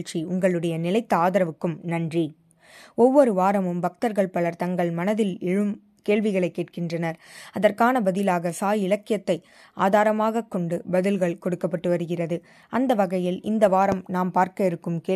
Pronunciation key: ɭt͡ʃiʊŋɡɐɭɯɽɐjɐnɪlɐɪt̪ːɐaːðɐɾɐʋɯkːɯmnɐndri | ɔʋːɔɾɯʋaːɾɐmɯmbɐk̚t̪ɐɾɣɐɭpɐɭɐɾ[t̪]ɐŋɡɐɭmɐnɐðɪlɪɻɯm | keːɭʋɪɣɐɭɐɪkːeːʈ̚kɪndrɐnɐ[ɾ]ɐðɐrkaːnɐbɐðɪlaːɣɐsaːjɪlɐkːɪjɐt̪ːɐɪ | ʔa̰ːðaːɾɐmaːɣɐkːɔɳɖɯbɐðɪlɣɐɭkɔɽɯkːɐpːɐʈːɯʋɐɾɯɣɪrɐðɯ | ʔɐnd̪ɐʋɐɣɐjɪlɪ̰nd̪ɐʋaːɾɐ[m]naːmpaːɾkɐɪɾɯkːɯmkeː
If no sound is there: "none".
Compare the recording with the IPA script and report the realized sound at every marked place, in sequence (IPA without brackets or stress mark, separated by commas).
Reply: t̪, ɾ, m